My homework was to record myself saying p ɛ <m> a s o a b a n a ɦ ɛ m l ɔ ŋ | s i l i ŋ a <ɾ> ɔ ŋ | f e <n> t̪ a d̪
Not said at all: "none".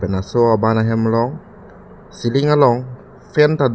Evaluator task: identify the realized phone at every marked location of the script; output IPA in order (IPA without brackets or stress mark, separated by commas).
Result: n, l, n